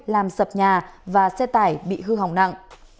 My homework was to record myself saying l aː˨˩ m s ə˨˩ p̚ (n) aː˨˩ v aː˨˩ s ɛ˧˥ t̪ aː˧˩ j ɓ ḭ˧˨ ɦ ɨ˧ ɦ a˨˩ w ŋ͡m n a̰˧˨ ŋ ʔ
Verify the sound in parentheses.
incorrect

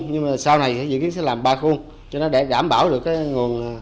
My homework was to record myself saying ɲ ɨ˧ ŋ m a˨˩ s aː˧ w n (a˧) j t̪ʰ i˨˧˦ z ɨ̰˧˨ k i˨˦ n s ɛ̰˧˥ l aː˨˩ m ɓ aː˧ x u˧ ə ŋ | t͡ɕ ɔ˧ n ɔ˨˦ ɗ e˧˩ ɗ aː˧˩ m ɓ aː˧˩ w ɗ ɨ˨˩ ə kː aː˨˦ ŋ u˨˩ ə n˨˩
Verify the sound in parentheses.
incorrect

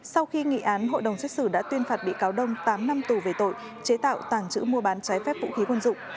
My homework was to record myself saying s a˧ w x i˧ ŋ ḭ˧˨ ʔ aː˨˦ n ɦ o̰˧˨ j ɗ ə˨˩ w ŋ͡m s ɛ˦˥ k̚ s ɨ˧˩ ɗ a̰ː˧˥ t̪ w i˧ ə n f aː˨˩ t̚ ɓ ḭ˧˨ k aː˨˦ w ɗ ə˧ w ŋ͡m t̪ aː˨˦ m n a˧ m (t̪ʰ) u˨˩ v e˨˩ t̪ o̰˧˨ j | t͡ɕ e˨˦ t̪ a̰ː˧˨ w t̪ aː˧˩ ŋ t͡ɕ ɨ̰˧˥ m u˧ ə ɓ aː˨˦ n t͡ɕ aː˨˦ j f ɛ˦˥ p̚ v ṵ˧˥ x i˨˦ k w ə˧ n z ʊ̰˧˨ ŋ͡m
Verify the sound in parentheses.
incorrect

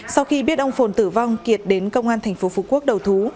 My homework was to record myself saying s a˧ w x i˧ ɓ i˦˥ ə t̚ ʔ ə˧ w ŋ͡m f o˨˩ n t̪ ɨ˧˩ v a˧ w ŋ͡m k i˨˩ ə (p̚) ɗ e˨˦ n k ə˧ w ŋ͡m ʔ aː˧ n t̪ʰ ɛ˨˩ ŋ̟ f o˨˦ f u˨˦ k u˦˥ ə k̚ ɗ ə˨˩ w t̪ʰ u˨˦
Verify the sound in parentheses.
incorrect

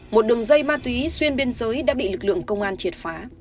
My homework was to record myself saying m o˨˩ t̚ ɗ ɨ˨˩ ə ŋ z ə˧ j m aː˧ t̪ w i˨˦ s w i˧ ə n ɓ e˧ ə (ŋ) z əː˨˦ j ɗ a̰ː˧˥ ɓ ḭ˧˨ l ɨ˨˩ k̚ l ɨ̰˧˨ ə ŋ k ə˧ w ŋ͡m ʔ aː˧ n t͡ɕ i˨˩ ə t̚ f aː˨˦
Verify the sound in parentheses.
incorrect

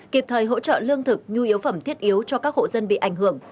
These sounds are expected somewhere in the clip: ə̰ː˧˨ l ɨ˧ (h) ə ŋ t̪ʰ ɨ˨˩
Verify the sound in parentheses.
incorrect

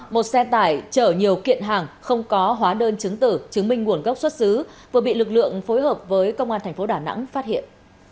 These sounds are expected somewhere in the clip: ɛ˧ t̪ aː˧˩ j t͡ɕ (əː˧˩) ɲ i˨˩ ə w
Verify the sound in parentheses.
correct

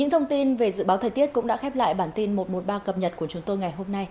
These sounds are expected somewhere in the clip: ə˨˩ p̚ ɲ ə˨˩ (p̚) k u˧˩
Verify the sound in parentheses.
incorrect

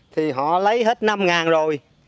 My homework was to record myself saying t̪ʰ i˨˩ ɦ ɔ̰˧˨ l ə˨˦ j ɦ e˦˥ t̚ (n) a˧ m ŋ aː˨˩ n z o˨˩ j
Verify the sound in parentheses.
correct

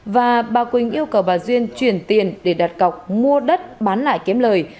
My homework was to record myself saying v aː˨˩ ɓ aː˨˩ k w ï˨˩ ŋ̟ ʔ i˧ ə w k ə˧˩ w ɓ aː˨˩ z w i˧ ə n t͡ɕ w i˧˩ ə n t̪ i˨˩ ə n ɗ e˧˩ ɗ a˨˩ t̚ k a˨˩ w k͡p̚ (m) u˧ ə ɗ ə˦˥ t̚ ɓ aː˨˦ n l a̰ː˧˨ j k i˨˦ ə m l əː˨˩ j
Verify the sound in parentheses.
correct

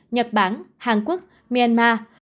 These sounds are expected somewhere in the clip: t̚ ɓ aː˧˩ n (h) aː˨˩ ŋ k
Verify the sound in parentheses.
correct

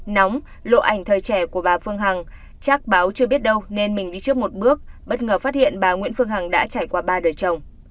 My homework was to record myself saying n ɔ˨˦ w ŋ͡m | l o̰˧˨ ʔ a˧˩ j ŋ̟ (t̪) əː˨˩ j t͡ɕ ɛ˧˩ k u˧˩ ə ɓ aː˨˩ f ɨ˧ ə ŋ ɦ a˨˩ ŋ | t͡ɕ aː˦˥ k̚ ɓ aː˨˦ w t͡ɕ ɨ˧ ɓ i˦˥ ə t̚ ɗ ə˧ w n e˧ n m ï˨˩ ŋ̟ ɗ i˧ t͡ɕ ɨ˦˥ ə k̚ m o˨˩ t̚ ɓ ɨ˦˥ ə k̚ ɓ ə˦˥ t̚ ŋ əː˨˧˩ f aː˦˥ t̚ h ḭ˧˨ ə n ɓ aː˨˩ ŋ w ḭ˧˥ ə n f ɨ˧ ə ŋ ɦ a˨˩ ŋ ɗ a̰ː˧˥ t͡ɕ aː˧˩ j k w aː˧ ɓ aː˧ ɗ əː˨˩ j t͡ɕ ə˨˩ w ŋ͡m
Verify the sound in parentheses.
incorrect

